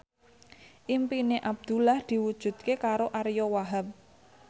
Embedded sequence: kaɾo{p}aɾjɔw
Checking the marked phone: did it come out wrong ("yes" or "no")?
yes